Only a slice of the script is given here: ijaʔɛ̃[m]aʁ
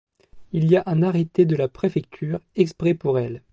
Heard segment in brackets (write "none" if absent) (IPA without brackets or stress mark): n